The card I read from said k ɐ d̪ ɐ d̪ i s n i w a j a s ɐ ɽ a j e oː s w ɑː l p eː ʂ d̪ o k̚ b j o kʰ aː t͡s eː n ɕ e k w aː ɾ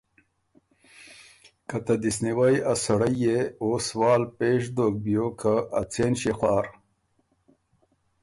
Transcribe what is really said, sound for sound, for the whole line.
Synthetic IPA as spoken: k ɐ t̪ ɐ d̪ i s n i w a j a s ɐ ɽ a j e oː s w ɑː l p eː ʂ d̪ o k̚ b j o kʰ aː t͡s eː n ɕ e x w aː ɾ